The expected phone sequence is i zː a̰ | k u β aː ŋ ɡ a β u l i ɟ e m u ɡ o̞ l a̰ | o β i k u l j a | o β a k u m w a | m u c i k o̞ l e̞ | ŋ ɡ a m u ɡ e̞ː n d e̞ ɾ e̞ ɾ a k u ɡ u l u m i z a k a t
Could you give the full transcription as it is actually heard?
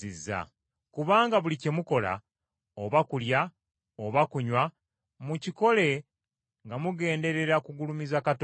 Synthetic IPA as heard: i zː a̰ | k u β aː ŋ ɡ a β u l i c e m u k o̞ l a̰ | o β a k u l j a | o β a k u ɲ w a | m u c i k o̞ l e̞ | ŋ ɡ a m u ɡ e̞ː n d e̞ ɾ e̞ ɾ a k u ɡ u l u m i z a k a t